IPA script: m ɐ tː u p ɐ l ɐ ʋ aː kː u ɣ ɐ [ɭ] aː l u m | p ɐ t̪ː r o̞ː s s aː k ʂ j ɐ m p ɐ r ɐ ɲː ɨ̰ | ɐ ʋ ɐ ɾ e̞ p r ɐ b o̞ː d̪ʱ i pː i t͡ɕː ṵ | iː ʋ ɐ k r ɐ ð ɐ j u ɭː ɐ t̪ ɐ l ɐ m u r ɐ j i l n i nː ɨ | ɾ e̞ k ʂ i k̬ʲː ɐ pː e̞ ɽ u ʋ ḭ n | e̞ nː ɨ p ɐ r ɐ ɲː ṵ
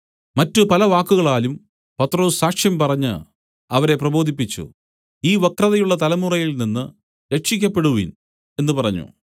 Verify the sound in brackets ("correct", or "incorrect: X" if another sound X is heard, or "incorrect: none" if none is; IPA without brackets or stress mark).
correct